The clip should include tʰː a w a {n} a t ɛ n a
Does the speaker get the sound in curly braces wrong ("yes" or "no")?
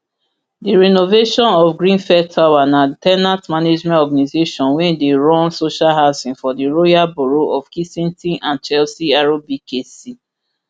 no